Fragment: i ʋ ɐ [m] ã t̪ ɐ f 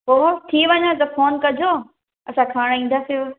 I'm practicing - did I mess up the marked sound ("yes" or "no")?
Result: yes